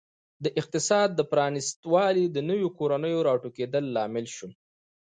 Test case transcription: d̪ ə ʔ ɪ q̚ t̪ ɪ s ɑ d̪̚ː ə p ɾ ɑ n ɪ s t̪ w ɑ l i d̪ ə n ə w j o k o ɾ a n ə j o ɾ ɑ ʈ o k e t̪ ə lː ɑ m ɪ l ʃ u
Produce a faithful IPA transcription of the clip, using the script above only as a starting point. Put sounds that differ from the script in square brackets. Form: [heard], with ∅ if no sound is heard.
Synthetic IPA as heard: d̪ ə ʔ ɪ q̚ t̪ ɪ s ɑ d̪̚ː ə p ɾ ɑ n ɪ s t̪ w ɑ l i d̪ ə n ə w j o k o ɾ a n ə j o ɾ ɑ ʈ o k e [d̪] ə lː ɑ m ɪ l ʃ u